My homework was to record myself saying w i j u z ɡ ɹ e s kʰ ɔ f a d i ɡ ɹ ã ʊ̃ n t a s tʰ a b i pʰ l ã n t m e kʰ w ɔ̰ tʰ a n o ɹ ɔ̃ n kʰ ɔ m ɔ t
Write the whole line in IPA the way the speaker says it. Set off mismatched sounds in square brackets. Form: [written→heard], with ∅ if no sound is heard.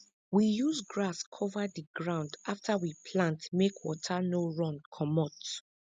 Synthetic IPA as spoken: w i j u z ɡ ɹ [e→a] s kʰ ɔ [f→v] a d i ɡ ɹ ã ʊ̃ n [t→d] a [s→f] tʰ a [b→w] i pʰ l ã n t m e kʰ w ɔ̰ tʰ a n o ɹ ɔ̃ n kʰ ɔ m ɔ t